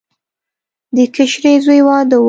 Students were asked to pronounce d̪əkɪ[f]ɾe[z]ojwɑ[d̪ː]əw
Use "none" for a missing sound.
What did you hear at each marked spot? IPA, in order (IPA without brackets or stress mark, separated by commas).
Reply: ʃ, z, d̪